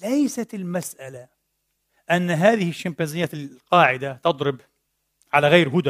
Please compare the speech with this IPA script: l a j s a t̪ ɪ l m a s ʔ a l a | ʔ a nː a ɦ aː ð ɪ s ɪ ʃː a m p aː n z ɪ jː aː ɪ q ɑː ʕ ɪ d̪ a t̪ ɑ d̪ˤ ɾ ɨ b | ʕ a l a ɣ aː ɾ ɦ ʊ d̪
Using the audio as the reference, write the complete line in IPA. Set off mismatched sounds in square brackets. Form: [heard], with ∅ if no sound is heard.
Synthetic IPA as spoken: l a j s a t̪ ɪ l m a s ʔ a l a | ʔ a nː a ɦ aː ð ɪ [h] ɪ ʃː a m p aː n z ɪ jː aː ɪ q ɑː ʕ ɪ d̪ a t̪ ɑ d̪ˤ ɾ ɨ b | ʕ a l a ɣ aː ɾ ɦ ʊ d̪